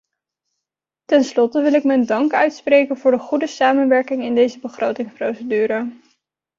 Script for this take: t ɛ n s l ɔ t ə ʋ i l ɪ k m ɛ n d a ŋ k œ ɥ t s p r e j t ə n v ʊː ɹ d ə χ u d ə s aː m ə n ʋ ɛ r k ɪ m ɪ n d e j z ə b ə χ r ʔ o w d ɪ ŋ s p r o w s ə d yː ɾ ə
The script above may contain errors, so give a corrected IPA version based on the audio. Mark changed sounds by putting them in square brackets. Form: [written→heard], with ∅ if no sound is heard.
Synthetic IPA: t ɛ n s l ɔ t ə ʋ [i→ɪ] l ɪ k m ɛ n d [a→ɑ] ŋ k œ ɥ t s p r e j [t→k] ə n v ʊː ɹ d ə χ u d ə s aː m ə n ʋ ɛ [r→ɹ] k ɪ [m→ŋ] ɪ n d e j z ə b ə χ r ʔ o w [d→t] ɪ ŋ s p r o w s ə d yː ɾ ə